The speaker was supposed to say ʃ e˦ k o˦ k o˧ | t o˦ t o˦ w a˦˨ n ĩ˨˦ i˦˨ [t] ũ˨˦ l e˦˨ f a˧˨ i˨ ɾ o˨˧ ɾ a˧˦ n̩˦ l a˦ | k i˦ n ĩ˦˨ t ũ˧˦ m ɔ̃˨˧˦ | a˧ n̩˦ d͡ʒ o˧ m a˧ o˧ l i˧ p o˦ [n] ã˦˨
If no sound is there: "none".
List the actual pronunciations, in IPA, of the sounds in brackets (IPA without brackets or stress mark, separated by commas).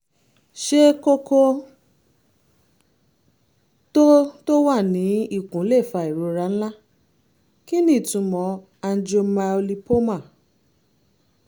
k, m